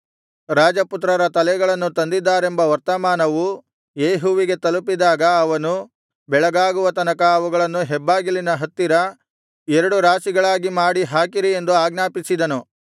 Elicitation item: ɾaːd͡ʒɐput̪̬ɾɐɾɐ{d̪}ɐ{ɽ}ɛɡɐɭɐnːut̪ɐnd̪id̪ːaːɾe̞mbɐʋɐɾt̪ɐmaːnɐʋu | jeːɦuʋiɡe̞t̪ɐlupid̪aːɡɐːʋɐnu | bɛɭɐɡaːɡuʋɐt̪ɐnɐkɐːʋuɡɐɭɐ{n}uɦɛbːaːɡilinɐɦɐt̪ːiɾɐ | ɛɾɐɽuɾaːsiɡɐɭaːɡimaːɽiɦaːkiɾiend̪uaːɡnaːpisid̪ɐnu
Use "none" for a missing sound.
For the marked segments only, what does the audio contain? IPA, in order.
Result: t̪, l, nː

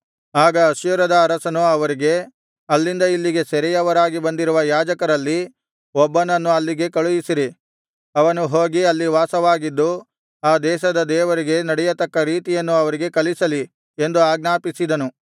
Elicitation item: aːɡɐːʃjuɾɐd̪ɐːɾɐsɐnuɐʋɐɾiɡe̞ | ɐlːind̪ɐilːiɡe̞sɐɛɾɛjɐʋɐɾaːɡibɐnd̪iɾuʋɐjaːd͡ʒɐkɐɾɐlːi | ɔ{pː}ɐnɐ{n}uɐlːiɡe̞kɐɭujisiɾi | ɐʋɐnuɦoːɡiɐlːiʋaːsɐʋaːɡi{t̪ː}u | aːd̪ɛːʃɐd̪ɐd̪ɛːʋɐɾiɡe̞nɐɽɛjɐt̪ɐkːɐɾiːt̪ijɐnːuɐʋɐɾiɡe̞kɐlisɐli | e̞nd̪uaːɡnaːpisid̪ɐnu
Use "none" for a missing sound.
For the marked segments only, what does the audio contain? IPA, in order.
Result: bː, nː, d̪ː

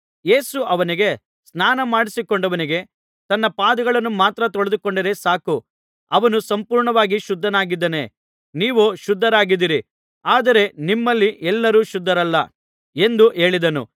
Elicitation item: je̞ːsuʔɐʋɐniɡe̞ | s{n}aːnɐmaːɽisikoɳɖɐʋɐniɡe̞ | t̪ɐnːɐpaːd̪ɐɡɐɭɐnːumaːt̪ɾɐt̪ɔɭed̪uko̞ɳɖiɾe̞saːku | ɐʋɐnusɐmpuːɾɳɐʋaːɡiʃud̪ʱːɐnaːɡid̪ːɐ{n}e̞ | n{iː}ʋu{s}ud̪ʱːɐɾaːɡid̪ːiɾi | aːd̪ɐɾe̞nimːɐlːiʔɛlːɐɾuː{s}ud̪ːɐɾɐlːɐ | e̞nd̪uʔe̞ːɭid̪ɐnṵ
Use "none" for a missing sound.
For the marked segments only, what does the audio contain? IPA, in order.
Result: n, n, iː, ʃ, ʃ

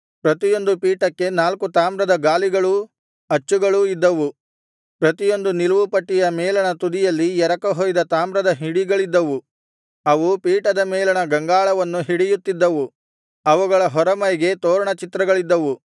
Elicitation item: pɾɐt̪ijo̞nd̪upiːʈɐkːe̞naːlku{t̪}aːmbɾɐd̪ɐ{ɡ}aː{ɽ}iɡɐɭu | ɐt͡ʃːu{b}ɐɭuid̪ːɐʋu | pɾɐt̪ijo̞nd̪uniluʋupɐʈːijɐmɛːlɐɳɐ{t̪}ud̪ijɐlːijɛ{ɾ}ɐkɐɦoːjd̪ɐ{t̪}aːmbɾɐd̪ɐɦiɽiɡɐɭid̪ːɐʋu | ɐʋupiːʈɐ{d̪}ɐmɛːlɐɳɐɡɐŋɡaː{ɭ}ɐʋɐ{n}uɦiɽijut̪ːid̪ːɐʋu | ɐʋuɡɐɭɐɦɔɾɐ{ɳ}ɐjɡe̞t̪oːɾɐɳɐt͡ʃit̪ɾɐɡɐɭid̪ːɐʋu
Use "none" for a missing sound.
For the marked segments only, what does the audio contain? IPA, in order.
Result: t̪, ɡ, l, ɡ, t̪, ɾ, t̪, d̪, ɭ, nː, m

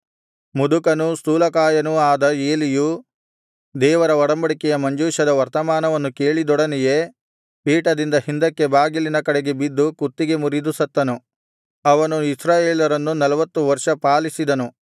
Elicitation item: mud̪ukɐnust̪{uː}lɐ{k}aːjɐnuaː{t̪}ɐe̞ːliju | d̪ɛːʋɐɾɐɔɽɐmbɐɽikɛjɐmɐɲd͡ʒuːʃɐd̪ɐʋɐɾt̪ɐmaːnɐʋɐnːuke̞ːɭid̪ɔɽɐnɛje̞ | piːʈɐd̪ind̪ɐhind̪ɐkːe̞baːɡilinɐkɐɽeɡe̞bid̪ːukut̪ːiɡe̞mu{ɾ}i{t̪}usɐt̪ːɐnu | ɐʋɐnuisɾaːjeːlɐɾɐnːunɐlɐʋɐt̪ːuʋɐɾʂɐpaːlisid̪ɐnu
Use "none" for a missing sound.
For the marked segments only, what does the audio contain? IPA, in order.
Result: uː, k, d̪, ɾ, d̪

